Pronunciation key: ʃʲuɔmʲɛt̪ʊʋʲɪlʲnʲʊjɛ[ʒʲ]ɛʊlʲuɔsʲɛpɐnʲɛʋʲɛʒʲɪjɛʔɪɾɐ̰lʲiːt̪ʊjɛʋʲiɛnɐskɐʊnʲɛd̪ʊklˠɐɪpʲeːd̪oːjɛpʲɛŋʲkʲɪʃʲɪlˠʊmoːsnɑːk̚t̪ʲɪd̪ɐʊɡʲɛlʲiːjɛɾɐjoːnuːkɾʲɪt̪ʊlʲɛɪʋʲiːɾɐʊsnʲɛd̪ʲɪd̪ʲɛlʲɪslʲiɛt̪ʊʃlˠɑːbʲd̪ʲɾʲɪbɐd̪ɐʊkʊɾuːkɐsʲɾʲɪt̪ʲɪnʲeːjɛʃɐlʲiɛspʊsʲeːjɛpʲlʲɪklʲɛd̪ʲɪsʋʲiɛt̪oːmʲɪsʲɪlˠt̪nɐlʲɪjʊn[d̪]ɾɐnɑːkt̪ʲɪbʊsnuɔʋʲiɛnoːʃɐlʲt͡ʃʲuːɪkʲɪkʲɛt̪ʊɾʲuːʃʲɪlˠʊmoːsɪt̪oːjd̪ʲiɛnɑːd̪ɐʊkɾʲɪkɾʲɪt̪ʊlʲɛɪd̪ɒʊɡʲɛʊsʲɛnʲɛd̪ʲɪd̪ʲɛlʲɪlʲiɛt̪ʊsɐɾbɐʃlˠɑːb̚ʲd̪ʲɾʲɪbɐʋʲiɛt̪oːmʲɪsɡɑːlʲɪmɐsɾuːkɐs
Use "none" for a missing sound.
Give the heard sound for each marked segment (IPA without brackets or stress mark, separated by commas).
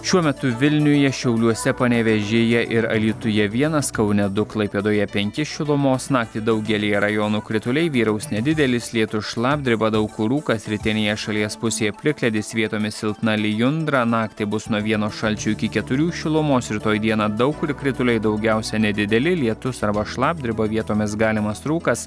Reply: ʃʲ, d̪